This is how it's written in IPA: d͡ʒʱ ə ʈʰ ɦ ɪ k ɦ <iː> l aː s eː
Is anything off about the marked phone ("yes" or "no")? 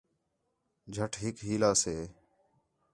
no